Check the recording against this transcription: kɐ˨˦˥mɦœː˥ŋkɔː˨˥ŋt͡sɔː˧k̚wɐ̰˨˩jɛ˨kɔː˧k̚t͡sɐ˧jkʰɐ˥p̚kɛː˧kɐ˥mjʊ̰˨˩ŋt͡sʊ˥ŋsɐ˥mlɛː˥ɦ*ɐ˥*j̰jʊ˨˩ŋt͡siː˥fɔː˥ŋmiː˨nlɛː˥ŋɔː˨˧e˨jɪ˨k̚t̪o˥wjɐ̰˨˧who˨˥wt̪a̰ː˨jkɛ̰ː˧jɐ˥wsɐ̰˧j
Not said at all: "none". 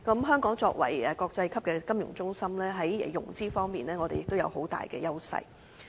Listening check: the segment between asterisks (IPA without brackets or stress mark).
ɐ˨˦